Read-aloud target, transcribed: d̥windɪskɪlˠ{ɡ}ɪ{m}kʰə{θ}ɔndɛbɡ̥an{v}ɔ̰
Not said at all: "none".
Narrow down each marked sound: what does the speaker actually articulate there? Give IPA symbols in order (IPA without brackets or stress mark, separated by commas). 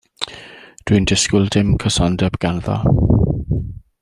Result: d, m, s, ð